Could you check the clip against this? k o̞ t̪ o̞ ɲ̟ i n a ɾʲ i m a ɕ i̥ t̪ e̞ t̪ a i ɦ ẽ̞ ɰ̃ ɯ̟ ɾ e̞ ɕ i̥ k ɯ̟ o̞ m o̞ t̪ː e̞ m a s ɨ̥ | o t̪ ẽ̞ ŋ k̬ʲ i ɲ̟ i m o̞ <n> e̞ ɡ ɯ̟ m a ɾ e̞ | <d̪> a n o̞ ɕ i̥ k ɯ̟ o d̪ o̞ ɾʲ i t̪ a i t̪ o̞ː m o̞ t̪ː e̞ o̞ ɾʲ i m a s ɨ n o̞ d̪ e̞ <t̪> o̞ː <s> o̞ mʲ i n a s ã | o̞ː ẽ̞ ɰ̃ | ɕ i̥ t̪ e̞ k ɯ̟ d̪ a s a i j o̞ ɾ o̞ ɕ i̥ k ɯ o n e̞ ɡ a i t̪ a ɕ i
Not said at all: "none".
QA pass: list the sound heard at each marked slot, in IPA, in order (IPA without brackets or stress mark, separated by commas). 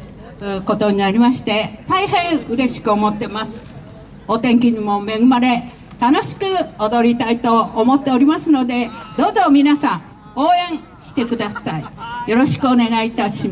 m, t̪, d̪, z